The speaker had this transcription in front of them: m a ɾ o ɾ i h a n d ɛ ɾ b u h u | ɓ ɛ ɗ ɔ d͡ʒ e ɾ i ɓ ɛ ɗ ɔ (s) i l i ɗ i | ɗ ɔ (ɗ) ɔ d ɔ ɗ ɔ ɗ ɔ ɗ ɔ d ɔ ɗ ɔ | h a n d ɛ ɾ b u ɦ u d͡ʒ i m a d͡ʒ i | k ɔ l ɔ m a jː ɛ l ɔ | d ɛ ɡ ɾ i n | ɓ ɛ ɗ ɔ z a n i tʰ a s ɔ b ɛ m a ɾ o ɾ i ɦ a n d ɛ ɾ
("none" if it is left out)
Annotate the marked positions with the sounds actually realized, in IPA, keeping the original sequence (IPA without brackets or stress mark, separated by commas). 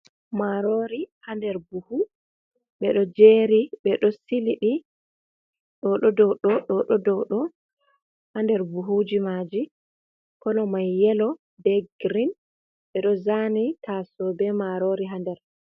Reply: s, ɗ